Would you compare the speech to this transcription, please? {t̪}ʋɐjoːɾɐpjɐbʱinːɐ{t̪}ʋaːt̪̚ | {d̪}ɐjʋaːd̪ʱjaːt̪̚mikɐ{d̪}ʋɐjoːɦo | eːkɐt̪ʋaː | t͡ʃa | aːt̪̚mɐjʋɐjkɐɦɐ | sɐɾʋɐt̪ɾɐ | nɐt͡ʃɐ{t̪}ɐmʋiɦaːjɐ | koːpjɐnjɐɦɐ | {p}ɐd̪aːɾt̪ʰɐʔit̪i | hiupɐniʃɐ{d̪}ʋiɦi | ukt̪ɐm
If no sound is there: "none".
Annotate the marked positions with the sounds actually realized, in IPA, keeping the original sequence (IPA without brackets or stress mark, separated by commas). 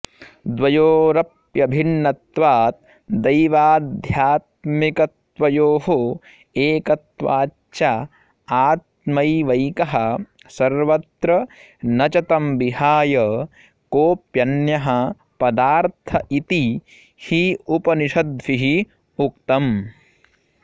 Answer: d̪, t̪, d̪, t̪, t̪, p, d̪